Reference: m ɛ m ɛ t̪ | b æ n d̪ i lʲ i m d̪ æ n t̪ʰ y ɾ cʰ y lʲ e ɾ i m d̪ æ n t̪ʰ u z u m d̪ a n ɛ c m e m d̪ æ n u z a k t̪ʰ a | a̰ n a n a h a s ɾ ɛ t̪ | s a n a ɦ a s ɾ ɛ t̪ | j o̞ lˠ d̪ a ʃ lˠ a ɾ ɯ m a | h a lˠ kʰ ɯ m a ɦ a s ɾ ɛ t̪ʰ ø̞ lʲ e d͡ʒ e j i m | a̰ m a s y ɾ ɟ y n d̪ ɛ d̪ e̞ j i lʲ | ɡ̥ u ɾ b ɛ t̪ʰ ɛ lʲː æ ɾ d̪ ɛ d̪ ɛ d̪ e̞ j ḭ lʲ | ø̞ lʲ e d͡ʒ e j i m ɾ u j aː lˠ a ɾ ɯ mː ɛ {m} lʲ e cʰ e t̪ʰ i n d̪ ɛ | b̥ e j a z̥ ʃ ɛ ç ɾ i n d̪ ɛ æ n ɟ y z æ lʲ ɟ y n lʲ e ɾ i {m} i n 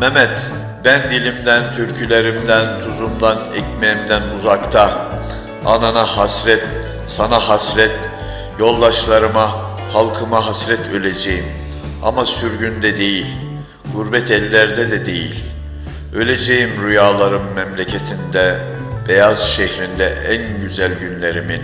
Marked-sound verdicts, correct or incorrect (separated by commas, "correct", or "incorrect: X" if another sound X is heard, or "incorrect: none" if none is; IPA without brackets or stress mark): correct, correct